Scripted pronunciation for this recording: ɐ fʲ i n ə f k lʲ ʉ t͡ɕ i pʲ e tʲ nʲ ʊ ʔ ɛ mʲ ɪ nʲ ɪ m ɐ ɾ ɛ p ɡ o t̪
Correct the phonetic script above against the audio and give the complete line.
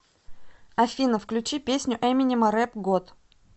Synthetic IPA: ɐ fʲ i n ə f k lʲ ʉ t͡ɕ i pʲ e sʲ nʲ ʊ ʔ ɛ mʲ ɪ nʲ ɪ m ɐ ɾ ɛ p ɡ o t̪